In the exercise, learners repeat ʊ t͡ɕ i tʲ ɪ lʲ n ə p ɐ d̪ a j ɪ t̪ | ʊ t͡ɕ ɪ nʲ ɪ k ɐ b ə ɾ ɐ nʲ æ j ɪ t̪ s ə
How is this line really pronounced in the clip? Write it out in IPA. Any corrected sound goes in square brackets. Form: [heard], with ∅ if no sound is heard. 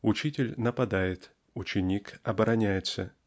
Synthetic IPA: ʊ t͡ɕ i tʲ ɪ lʲ n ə p ɐ d̪ a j ɪ t̪ | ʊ t͡ɕ ɪ nʲ [i] k ɐ b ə ɾ ɐ nʲ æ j ɪ t̪ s ə

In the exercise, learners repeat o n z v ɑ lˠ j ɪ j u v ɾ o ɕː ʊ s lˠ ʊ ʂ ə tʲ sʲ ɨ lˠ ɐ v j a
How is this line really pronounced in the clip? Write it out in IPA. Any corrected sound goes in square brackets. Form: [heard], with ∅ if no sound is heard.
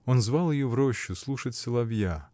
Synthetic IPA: o n z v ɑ lˠ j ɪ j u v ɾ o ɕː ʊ s lˠ [u] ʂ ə tʲ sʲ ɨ lˠ ɐ v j a

